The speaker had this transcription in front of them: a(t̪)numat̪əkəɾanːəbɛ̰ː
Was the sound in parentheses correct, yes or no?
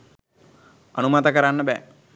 no